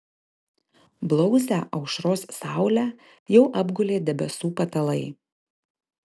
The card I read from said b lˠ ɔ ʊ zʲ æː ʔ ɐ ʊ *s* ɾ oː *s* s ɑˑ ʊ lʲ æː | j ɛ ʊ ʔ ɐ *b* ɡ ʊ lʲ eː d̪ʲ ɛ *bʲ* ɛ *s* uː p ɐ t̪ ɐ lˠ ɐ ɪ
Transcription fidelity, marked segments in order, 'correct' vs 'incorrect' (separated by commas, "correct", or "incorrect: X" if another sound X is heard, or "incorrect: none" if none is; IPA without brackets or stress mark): incorrect: ʃ, correct, correct, correct, correct